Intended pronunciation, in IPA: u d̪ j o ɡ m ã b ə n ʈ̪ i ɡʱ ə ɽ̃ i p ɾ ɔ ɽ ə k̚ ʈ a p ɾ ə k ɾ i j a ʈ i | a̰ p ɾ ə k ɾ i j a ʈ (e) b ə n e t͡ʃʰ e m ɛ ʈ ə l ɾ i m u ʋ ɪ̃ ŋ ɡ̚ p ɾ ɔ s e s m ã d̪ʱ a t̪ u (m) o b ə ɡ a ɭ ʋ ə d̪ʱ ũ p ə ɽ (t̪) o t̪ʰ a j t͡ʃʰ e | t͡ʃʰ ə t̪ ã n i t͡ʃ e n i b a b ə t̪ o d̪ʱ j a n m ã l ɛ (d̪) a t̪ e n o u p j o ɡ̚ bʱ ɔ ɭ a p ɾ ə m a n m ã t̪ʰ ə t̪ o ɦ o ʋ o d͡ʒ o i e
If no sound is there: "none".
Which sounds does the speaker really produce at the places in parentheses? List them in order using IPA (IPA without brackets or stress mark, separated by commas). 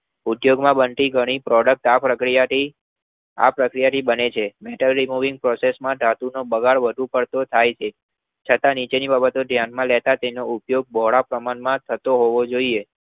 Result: i, n, t̪, t̪